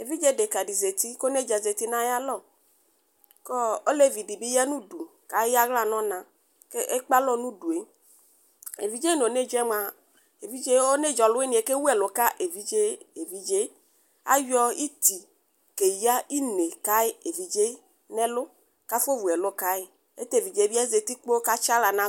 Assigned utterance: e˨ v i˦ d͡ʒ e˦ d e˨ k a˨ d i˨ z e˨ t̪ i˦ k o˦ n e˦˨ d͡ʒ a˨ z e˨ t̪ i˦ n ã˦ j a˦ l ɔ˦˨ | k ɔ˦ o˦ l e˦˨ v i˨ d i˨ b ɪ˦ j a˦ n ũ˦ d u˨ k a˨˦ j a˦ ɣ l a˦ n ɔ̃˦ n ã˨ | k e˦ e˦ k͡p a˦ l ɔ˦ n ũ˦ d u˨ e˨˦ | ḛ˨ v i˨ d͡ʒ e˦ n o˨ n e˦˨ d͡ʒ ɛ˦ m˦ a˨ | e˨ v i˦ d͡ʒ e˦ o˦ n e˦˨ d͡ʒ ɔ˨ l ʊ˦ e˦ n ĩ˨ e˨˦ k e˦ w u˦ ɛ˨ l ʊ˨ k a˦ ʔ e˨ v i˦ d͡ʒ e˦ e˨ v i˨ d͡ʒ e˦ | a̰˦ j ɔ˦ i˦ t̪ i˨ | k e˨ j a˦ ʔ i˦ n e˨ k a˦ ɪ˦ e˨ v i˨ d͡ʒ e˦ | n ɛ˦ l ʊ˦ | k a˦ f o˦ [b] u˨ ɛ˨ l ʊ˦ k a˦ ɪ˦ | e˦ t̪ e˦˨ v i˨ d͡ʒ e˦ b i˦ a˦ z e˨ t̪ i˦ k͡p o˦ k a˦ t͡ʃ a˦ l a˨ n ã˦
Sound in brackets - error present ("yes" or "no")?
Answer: yes